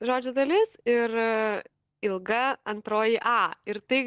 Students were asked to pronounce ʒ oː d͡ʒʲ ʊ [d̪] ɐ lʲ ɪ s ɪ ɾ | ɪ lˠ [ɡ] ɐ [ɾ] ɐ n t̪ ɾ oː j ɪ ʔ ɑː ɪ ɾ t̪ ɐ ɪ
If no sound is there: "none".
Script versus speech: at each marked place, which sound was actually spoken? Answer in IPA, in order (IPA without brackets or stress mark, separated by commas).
d̪, ɡ, none